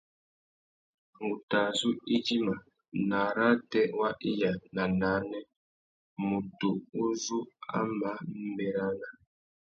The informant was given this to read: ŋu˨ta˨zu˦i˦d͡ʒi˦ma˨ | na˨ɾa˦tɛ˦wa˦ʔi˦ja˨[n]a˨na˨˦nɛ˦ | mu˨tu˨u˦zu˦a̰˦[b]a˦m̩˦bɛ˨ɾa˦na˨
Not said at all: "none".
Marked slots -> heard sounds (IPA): n, m

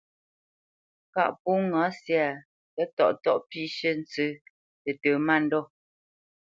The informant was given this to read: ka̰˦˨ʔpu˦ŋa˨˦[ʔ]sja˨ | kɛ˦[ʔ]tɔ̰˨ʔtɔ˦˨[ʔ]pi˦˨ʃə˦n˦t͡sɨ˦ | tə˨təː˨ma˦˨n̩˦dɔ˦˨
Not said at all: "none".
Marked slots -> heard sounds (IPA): none, none, ʔ

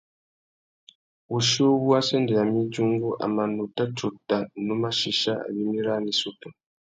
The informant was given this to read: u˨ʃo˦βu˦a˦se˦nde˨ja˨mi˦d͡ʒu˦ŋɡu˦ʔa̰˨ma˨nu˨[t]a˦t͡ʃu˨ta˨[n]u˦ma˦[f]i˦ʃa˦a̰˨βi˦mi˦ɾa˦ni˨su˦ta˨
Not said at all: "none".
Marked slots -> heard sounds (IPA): t, n, ʃ

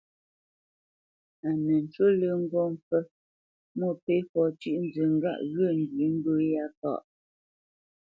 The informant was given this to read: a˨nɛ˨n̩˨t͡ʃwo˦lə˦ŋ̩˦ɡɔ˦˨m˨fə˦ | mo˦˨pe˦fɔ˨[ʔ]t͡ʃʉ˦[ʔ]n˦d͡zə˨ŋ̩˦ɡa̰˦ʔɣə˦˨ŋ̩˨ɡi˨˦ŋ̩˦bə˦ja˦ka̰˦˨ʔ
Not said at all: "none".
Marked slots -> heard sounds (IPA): none, ʔ

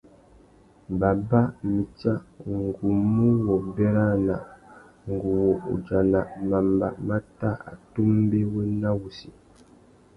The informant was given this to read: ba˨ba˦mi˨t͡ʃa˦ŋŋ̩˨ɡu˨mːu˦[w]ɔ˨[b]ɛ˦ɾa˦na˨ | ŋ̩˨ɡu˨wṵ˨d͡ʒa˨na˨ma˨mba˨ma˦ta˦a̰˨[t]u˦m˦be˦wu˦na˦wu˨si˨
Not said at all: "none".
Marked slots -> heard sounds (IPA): w, b, t

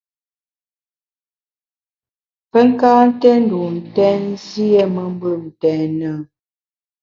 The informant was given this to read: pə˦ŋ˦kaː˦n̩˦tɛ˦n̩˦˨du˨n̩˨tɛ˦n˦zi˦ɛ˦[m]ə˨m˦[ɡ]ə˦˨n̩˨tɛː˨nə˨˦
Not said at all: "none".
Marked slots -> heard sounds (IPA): m, b

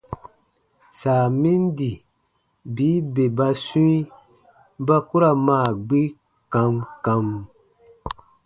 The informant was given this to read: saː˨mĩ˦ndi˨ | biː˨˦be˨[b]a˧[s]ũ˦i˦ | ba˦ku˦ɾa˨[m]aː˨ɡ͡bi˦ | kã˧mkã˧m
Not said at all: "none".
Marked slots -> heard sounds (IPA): b, s, m

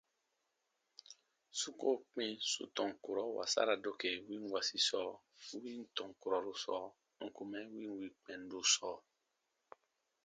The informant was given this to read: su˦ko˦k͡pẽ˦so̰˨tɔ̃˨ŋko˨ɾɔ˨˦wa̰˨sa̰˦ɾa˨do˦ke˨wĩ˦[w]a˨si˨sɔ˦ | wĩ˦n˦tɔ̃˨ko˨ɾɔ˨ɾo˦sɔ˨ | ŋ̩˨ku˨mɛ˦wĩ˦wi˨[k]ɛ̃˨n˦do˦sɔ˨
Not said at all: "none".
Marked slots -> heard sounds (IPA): w, k͡p

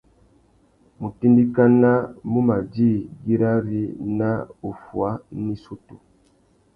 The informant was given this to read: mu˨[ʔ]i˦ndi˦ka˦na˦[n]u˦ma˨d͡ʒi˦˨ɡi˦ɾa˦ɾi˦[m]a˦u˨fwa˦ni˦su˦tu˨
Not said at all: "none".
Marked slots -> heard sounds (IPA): t, m, n

